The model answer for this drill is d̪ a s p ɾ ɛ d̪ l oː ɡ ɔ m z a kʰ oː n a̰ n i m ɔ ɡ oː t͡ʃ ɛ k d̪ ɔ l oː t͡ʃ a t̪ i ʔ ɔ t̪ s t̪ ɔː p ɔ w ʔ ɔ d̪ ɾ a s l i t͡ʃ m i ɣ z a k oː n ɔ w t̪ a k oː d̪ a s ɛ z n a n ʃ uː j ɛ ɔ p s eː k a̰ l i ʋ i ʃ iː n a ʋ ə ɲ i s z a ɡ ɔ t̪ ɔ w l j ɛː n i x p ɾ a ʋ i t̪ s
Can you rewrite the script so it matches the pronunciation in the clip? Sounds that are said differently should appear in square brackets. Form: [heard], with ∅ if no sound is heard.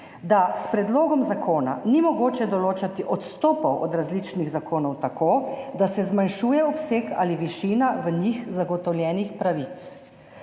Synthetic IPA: d̪ a s p ɾ ɛ d̪ l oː ɡ ɔ m z a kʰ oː n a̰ n i m ɔ ɡ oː t͡ʃ ɛ [∅] d̪ ɔ l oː t͡ʃ a t̪ i ʔ ɔ t̪ s t̪ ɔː p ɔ w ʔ ɔ d̪ ɾ a [z] l i t͡ʃ [n] i ɣ z a k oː n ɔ w t̪ a k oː d̪ a s ɛ z [m] a n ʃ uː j ɛ ɔ p s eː k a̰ l i ʋ i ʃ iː n a ʋ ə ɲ i [x] z a ɡ ɔ t̪ ɔ w l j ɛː n i x p ɾ a ʋ i t̪ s